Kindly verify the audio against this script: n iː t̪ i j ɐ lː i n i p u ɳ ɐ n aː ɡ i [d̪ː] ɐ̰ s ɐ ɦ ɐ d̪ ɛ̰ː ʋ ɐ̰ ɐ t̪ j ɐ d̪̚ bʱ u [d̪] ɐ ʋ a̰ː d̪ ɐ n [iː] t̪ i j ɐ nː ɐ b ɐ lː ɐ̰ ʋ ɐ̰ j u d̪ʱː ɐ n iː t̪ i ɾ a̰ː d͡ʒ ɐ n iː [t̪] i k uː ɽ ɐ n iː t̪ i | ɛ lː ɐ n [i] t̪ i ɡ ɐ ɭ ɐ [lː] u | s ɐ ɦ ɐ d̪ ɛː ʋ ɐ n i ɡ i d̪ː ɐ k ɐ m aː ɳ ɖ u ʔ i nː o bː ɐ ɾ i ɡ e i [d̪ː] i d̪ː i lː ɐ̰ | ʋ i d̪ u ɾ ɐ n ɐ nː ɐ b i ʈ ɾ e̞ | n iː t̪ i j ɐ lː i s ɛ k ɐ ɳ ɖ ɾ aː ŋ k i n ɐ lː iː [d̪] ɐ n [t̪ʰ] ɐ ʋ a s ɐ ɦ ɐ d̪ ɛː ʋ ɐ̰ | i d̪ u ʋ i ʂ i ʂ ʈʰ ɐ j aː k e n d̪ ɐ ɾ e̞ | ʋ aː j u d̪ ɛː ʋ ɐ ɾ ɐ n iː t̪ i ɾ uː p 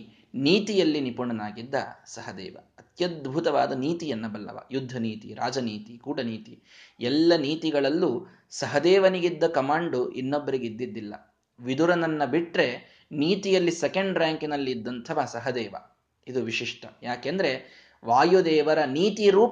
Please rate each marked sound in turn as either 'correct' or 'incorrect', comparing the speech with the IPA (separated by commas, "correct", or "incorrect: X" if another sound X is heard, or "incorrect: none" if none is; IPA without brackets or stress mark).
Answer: correct, incorrect: t̪, correct, correct, incorrect: iː, correct, correct, incorrect: d̪ː, correct